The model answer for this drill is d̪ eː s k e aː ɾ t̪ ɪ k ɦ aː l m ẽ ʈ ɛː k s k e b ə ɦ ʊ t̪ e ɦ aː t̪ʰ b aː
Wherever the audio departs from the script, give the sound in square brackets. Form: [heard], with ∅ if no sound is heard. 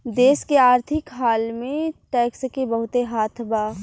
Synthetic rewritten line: d̪ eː s k e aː ɾ [t̪ʰ] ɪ k ɦ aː l m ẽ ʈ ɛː k s k e b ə ɦ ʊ t̪ e ɦ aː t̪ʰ b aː